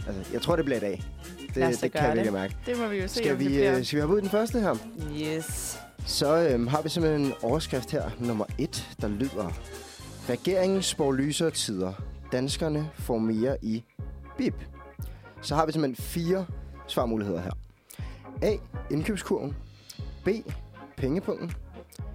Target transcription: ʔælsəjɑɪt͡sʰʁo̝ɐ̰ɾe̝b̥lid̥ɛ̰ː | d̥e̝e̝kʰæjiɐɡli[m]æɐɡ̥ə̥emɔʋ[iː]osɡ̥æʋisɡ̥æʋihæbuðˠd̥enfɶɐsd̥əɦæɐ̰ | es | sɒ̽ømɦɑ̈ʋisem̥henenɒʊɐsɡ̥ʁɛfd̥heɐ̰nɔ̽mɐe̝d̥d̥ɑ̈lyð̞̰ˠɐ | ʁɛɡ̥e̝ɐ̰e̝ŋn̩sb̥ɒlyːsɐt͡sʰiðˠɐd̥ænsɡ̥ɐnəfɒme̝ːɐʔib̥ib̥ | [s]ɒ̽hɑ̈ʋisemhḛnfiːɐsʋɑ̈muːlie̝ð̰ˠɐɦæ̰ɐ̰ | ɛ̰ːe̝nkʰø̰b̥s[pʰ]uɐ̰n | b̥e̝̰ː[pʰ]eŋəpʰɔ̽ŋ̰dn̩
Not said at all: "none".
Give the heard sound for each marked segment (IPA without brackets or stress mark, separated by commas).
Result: m, i, s, kʰ, pʰ